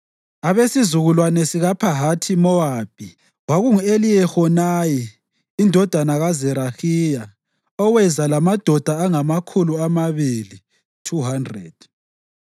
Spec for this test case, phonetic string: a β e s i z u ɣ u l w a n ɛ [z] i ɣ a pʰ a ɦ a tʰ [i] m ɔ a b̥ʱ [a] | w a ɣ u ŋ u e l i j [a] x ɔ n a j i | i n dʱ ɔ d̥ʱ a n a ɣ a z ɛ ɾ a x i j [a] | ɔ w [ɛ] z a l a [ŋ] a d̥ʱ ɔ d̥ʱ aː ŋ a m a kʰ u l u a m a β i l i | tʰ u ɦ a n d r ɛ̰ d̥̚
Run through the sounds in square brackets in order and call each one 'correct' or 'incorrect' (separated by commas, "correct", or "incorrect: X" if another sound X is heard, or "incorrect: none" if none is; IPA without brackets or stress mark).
incorrect: s, correct, incorrect: i, incorrect: ɛ, correct, correct, incorrect: m